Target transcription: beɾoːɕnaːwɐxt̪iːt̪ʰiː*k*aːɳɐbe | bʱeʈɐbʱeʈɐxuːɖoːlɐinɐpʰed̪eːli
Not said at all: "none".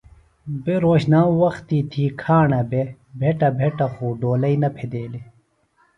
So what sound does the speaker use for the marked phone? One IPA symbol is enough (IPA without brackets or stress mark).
kʰ